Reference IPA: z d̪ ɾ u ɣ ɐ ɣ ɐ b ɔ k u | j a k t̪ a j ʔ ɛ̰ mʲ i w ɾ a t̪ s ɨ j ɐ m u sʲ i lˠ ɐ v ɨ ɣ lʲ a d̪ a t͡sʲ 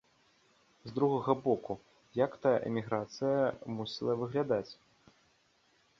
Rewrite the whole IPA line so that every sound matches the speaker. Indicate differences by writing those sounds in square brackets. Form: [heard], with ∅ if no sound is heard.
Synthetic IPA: z d̪ ɾ u ɣ ɐ ɣ ɐ b ɔ k u | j a k t̪ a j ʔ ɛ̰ mʲ i [ɣ] ɾ a t̪ s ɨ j ɐ m u sʲ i lˠ ɐ v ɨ ɣ lʲ a d̪ a t͡sʲ